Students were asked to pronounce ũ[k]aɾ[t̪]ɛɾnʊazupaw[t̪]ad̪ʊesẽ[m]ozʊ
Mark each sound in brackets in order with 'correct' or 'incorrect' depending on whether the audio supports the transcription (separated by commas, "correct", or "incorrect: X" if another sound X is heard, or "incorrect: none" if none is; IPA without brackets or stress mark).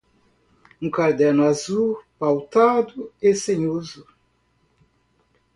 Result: correct, incorrect: d̪, correct, incorrect: ɲ